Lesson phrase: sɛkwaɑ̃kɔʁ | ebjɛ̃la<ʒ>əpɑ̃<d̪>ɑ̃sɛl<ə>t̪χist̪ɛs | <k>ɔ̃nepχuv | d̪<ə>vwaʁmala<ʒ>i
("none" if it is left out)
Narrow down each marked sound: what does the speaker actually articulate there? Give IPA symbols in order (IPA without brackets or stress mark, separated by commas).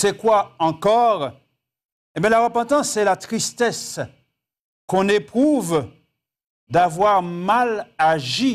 ʁ, t̪, a, k, a, ʒ